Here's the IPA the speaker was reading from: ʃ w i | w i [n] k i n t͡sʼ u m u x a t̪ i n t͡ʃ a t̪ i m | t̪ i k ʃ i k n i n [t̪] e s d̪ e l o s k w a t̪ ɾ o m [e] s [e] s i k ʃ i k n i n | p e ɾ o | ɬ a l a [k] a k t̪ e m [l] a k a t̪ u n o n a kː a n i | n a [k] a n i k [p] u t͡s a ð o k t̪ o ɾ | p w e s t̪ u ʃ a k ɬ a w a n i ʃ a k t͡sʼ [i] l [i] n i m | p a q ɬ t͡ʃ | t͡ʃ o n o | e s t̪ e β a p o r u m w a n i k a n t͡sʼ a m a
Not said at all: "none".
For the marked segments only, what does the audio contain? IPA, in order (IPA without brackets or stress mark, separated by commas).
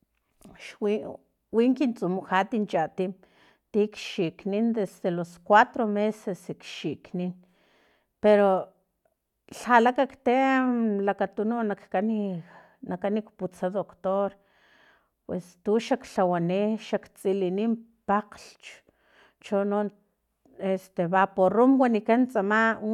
ŋ, d̪, e, e, k, l, k, p, i, i